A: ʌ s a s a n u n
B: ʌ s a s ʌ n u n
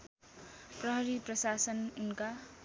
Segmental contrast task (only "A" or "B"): B